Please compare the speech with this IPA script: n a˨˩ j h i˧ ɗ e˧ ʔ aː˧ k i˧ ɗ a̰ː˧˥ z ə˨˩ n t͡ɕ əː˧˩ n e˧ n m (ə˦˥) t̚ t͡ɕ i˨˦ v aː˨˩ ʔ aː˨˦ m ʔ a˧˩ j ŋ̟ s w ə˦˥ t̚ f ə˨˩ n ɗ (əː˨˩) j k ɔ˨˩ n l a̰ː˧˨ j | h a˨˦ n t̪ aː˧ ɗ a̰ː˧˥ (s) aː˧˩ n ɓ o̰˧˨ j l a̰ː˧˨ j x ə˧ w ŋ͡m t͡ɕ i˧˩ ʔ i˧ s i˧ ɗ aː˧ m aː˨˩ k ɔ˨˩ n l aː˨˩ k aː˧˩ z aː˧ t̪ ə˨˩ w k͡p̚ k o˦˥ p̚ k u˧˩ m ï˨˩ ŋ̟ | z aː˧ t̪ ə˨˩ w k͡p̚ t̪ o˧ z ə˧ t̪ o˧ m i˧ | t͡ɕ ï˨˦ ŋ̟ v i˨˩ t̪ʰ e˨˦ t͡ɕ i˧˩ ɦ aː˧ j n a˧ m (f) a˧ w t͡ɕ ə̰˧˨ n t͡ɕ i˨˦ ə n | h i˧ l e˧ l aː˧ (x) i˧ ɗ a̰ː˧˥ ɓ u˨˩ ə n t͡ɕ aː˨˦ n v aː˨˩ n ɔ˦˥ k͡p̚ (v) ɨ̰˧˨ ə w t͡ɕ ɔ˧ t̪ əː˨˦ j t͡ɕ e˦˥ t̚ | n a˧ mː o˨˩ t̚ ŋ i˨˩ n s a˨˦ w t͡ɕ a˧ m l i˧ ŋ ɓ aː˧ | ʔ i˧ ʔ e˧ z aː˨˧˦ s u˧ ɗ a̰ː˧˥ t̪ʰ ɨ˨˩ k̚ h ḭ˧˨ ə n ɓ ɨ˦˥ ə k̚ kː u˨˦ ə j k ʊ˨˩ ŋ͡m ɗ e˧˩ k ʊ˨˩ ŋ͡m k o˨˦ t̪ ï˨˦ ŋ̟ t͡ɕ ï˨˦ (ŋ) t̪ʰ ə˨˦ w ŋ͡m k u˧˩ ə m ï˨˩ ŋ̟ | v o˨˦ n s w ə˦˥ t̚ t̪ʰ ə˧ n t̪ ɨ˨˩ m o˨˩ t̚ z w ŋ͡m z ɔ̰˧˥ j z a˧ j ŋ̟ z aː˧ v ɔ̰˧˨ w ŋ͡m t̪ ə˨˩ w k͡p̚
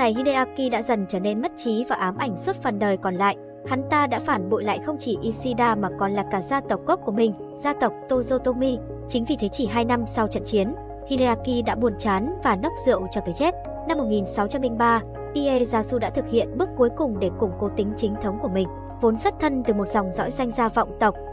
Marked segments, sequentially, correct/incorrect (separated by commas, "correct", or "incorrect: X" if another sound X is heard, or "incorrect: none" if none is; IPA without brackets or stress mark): correct, correct, incorrect: f, incorrect: s, incorrect: k, incorrect: z, correct